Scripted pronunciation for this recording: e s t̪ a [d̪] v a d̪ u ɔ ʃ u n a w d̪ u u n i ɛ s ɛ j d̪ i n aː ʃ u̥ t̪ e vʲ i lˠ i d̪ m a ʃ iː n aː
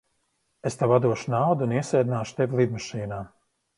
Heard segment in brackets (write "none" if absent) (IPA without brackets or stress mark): none